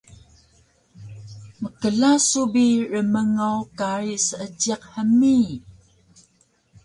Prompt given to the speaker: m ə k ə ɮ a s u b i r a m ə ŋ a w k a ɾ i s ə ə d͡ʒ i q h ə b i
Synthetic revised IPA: m ə k ə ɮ a s u b i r ə m ə ŋ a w k a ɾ i s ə ə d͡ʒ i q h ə m i